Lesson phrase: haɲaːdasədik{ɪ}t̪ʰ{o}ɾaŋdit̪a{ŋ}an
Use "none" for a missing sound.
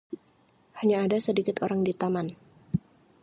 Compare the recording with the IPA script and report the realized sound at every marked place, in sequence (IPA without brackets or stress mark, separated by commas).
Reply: ɪ, o, m